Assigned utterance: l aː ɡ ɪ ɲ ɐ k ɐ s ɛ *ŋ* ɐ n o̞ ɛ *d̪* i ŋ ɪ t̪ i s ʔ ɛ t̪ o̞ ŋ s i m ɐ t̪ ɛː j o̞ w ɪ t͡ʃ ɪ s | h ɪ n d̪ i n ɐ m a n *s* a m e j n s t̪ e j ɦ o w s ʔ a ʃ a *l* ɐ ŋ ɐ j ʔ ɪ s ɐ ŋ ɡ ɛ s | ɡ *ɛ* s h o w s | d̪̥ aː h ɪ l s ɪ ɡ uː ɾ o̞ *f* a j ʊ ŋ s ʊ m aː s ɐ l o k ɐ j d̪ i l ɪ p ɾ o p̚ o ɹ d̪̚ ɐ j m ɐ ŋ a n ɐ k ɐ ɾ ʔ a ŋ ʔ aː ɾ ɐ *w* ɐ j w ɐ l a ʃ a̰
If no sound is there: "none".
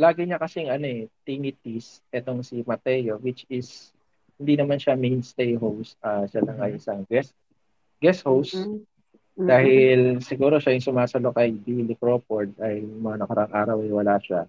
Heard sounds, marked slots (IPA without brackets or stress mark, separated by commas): ŋ, t̪, ʃ, l, ɛ, ʃ, w